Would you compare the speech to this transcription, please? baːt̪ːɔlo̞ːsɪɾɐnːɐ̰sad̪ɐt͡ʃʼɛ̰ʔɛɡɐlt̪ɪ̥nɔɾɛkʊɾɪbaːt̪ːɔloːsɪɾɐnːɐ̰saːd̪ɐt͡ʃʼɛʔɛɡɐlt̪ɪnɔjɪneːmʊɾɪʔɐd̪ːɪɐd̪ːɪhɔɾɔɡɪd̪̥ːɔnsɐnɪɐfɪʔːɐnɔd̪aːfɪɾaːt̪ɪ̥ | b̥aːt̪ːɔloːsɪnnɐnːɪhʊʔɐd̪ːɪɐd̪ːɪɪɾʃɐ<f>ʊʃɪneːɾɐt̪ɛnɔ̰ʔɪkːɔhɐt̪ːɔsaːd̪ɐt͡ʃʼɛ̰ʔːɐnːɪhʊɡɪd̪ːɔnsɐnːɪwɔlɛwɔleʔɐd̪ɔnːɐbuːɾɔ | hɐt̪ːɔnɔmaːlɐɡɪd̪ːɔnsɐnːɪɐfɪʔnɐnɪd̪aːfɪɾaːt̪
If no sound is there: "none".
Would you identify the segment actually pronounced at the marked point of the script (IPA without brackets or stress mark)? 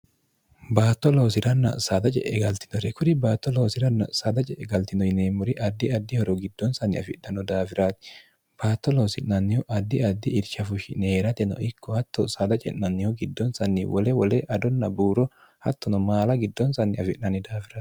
f